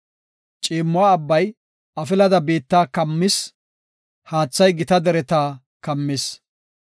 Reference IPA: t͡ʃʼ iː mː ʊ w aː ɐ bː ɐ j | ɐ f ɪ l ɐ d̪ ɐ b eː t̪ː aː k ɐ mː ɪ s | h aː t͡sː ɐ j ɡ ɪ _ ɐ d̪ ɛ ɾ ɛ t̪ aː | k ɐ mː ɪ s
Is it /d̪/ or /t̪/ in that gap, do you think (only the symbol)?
t̪